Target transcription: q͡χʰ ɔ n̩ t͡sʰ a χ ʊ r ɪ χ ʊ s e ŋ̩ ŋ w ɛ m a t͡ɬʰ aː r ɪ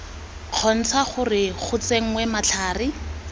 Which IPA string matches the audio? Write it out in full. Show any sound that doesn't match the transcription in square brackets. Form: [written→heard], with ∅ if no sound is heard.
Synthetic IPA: q͡χʰ ɔ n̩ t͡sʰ a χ ʊ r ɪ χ ʊ [s→t͡s] e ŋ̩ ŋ w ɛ m a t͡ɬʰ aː r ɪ